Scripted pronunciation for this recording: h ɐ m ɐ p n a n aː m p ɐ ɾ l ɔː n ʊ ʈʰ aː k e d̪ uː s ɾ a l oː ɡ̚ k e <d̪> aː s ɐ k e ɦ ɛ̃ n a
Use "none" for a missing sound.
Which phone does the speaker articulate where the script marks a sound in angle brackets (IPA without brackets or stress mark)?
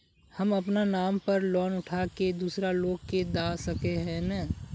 d̪